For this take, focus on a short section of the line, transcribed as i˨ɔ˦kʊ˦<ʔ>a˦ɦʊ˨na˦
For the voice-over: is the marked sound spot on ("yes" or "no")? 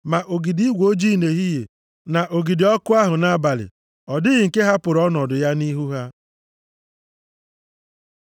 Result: no